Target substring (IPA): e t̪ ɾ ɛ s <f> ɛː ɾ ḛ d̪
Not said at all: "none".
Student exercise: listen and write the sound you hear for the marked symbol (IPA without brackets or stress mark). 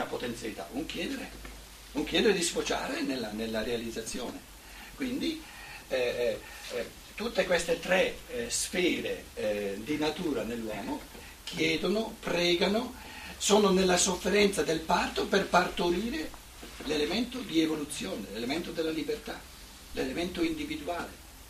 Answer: f